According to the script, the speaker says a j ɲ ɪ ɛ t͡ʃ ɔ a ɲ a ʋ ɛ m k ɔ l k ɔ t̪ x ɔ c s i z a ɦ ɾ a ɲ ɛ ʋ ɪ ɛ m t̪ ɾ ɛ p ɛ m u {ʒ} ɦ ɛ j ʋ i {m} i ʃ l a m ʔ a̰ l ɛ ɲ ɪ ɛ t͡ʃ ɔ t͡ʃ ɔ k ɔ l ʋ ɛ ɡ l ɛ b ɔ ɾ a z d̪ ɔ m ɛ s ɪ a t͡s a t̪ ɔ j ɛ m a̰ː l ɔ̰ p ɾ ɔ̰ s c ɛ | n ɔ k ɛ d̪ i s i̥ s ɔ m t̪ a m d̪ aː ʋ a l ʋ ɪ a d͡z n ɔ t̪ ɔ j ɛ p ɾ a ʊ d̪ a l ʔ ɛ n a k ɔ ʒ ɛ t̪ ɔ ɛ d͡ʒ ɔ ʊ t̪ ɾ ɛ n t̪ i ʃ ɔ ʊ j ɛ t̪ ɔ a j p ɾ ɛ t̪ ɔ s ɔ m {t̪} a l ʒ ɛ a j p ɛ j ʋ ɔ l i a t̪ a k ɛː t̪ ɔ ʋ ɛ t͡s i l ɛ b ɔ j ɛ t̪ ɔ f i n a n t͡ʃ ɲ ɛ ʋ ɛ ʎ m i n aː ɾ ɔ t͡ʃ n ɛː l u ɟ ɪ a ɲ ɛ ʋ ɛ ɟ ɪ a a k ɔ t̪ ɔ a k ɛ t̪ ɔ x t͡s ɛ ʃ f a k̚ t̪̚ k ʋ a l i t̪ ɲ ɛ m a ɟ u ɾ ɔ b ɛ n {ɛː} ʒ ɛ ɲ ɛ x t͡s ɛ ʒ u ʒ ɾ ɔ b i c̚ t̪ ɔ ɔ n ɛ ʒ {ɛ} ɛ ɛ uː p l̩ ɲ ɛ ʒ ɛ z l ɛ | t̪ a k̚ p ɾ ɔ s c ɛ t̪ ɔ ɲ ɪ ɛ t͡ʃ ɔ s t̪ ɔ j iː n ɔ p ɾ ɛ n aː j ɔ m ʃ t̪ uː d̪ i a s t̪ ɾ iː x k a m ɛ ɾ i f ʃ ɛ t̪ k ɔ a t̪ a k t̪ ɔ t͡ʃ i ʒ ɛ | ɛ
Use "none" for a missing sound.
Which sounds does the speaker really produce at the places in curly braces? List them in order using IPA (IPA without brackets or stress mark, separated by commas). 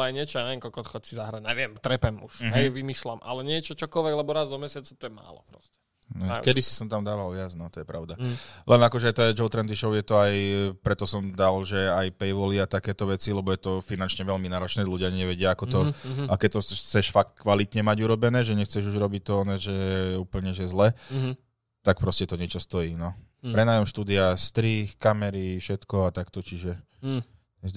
ʃ, m, d̪, ɛː, ɛ